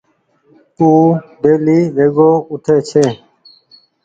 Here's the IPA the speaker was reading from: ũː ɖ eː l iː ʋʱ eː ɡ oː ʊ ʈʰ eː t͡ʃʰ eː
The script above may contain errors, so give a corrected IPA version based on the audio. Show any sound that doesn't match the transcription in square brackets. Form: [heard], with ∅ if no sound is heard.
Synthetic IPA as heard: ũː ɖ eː l iː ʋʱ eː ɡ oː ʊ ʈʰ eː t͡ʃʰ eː